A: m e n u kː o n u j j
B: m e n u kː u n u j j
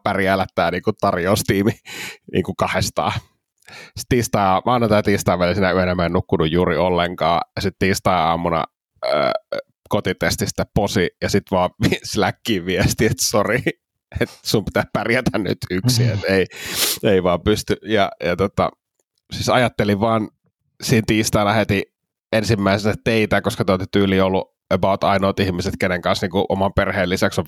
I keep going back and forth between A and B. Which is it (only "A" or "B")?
B